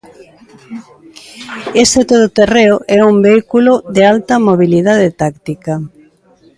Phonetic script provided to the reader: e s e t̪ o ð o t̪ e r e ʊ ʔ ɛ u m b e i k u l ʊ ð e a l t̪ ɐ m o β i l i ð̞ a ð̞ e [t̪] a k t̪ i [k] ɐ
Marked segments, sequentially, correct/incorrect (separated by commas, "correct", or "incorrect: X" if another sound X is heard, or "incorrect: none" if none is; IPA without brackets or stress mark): correct, correct